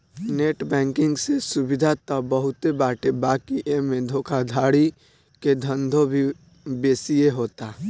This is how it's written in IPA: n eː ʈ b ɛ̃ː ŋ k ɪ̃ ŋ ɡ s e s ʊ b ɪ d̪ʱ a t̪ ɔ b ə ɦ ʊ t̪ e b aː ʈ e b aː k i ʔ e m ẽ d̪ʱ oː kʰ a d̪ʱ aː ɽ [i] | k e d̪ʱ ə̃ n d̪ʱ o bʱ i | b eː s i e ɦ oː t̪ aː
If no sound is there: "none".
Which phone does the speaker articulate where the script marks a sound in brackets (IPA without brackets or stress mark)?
i